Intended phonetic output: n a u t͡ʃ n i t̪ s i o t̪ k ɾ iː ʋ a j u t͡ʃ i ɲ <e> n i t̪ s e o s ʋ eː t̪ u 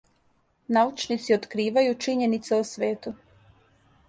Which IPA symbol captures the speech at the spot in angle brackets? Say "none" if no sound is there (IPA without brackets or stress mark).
e